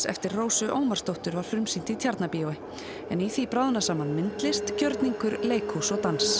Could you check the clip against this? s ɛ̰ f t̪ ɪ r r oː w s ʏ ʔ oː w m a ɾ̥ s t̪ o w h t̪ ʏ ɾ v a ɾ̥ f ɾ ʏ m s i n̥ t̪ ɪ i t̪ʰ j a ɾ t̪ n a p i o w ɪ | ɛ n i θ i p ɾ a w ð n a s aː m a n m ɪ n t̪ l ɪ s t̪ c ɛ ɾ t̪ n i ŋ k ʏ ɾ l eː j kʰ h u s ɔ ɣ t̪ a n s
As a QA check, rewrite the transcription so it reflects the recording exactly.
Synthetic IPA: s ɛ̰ f t̪ ɪ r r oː w s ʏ ʔ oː w m a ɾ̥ s t̪ o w h t̪ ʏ ɾ v a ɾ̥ f ɾ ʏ m s i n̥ t̪ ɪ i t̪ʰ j a ɾ t̪ n a p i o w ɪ | ɛ n i θ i p ɾ a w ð n a s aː m a n m ɪ n t̪ l ɪ s t̪ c œ ɾ t̪ n i ŋ k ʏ ɾ l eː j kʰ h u s ɔ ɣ t̪ a n s